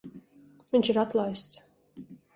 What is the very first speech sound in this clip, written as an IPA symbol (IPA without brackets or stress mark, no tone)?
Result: v